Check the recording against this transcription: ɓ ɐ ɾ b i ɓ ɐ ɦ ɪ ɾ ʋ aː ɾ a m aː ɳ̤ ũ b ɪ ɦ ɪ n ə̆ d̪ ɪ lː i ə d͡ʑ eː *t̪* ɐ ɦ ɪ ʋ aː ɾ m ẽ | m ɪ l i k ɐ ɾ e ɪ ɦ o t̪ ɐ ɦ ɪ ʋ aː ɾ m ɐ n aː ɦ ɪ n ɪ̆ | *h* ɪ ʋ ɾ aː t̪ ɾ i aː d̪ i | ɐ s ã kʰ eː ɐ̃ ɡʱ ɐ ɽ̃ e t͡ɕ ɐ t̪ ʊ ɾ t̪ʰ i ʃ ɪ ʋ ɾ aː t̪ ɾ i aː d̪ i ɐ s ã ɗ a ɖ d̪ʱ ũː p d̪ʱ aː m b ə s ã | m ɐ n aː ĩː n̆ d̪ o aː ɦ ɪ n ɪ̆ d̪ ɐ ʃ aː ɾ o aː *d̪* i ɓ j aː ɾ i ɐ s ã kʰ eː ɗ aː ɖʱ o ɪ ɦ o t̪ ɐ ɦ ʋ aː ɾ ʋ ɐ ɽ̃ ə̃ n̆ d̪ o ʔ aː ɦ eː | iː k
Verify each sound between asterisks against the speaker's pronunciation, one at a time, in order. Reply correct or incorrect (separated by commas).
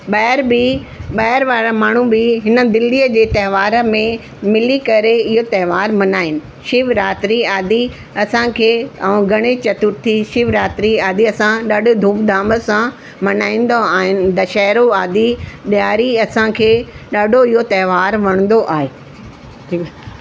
correct, incorrect, correct